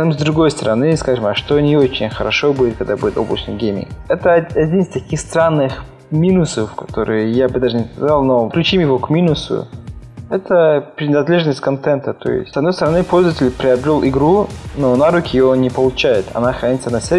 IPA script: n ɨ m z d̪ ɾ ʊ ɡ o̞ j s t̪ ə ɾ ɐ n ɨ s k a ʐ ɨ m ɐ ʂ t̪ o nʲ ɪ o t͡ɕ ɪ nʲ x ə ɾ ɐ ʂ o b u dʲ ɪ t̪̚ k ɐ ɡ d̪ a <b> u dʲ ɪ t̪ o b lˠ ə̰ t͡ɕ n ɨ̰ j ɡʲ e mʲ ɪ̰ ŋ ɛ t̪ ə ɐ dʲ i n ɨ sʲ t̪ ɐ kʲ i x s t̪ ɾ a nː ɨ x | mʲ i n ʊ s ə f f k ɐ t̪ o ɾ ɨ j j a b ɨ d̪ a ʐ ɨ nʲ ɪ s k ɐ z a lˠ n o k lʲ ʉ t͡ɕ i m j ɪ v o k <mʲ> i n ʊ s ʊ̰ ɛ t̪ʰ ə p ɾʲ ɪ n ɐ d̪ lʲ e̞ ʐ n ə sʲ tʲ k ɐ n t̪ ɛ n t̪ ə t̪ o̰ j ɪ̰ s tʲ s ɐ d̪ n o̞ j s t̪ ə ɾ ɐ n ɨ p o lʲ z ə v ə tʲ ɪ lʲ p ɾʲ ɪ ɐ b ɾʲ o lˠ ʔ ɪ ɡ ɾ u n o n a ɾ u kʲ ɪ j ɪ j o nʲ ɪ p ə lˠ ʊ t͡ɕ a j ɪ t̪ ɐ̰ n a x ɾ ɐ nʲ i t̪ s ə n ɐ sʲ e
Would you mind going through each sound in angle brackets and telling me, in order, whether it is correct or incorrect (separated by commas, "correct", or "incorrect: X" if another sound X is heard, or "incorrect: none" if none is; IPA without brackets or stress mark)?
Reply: correct, correct